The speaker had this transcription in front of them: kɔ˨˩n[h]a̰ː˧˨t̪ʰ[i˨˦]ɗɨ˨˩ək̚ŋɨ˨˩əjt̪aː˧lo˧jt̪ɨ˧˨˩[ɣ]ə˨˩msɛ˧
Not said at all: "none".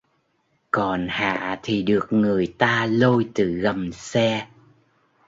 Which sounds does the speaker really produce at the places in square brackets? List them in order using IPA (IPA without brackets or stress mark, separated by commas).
h, i˨˩, ɣ